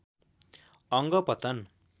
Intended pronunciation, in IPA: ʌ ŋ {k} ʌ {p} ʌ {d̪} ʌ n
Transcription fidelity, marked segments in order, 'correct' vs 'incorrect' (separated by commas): incorrect, correct, incorrect